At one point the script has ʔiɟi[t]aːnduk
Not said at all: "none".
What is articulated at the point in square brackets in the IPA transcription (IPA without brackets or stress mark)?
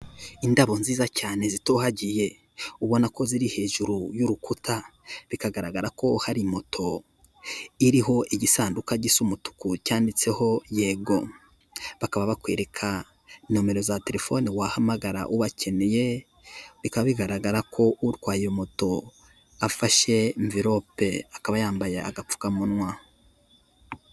s